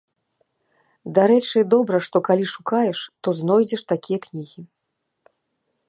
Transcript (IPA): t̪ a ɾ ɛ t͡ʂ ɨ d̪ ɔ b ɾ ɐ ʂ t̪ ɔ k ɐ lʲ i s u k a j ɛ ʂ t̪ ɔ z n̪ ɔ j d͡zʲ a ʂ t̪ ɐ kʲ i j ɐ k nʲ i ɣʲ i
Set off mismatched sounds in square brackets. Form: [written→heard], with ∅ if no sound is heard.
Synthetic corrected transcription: [t̪→d̪] a ɾ ɛ t͡ʂ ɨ d̪ ɔ b ɾ ɐ ʂ t̪ ɔ k [ɐ→a] lʲ i [s→ʂ] u k a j ɛ ʂ t̪ ɔ z n̪ ɔ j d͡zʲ [a→ɛ] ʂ t̪ [ɐ→a] kʲ i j ɐ k nʲ i ɣʲ i